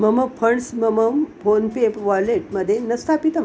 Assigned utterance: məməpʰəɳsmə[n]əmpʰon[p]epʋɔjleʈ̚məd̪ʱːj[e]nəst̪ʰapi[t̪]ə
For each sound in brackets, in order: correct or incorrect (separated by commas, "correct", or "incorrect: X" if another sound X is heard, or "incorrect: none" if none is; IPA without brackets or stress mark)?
incorrect: m, correct, correct, correct